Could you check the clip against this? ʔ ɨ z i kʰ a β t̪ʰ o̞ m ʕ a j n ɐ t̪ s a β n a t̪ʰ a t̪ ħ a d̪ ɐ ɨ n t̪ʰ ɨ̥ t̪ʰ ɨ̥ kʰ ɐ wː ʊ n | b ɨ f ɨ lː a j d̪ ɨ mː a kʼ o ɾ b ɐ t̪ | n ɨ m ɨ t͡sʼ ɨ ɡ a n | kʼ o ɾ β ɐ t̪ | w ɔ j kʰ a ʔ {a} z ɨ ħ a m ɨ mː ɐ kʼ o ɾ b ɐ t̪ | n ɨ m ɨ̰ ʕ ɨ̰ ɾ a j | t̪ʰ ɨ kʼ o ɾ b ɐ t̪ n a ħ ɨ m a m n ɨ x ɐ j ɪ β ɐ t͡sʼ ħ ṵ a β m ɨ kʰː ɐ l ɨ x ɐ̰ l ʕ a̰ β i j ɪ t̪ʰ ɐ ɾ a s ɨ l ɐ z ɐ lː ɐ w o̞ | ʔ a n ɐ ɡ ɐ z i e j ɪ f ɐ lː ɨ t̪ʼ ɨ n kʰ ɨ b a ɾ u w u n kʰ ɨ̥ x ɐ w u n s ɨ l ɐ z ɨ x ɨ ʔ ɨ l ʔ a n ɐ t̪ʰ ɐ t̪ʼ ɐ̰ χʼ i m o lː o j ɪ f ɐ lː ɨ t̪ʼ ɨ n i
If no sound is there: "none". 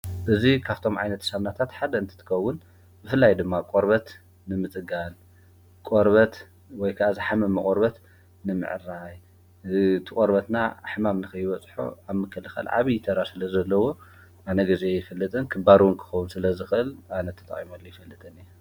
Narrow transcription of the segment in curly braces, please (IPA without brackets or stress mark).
a